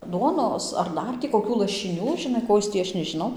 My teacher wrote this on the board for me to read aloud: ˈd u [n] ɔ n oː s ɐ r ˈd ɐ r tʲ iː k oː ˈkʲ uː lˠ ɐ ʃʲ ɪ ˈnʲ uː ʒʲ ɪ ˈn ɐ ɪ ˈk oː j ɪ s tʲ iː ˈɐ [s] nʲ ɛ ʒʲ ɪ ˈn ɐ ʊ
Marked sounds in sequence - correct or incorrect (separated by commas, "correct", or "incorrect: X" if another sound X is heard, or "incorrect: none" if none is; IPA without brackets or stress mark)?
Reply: incorrect: none, incorrect: ʃ